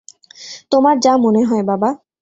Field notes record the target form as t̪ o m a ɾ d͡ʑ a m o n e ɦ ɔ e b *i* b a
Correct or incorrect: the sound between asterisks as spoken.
incorrect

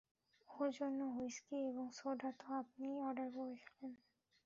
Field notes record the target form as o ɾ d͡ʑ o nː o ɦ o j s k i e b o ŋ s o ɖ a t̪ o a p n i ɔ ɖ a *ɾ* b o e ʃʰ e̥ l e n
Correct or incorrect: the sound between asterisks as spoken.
correct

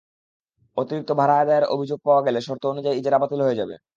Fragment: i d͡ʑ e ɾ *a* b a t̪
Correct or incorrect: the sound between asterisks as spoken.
correct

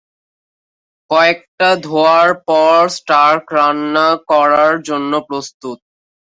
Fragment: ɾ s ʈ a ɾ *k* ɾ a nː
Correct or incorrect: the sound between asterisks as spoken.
correct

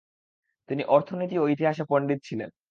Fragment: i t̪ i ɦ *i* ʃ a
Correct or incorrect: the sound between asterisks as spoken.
incorrect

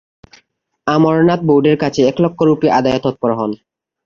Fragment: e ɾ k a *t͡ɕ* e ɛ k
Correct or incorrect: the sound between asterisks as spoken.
incorrect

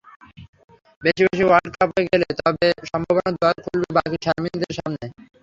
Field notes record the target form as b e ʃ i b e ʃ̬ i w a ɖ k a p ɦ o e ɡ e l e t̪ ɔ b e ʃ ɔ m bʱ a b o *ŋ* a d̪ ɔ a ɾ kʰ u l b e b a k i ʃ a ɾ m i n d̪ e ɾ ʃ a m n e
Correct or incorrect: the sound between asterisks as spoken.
incorrect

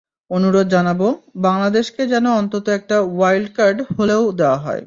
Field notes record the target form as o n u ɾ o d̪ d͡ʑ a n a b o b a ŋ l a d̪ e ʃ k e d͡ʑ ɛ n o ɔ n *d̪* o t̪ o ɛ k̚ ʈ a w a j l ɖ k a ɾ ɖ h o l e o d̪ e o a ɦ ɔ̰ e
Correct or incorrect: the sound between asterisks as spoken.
incorrect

